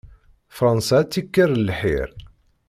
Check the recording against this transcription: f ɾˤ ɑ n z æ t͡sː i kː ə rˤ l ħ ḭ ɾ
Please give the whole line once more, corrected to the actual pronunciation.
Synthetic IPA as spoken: f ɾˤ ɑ n s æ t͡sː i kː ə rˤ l ħ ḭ ɾ